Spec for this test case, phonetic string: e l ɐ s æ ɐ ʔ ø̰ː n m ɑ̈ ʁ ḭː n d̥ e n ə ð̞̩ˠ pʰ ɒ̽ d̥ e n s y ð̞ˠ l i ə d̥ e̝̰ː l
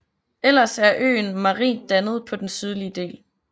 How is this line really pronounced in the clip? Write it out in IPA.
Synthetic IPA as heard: e l ɐ s æ ɐ ʔ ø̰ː n m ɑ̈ ʁ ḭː n d̥ æ n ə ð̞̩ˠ pʰ ɒ̽ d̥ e n s y ð̞ˠ l i ə d̥ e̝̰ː l